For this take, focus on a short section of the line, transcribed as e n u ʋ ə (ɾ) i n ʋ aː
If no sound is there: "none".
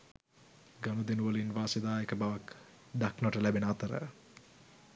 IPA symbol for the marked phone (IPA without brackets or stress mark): l